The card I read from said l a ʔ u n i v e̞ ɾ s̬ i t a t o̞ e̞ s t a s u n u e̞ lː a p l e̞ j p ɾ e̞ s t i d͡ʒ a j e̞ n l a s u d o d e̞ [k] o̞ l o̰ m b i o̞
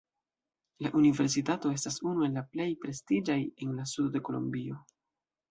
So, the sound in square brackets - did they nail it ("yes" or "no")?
yes